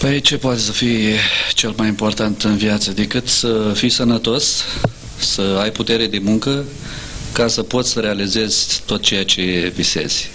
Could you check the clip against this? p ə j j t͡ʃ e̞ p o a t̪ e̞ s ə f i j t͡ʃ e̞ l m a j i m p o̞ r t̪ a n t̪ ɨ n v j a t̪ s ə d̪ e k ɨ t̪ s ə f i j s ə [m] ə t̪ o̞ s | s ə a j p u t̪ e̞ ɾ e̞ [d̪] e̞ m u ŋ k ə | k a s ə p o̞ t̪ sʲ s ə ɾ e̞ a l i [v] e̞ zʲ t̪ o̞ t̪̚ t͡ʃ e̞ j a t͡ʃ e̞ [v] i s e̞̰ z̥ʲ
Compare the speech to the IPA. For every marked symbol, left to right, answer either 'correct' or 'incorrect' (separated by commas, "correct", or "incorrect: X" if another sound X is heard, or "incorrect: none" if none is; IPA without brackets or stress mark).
incorrect: n, correct, incorrect: z, correct